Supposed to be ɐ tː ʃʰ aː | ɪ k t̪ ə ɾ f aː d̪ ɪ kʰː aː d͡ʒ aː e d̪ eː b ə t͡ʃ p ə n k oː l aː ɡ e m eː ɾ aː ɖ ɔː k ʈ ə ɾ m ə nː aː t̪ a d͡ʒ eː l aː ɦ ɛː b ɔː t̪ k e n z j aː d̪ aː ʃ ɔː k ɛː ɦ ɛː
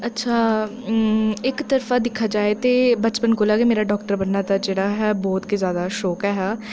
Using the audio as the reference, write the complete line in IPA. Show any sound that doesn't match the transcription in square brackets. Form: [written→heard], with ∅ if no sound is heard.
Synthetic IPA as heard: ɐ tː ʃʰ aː | ɪ k t̪ ə ɾ f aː d̪ ɪ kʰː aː d͡ʒ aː e [d̪→t̪] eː b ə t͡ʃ p ə n k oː l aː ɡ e m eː ɾ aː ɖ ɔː k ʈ ə ɾ [m→b] ə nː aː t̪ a d͡ʒ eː [l→ɽ] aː ɦ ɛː b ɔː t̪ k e [n→∅] z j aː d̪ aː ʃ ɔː k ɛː ɦ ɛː